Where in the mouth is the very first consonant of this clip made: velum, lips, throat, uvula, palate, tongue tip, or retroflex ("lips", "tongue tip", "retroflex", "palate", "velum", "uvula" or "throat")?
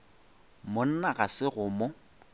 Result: lips